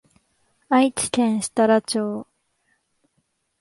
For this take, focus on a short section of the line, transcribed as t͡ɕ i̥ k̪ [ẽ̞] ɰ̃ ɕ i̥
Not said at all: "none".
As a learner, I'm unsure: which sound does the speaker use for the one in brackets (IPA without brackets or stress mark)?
ẽ̞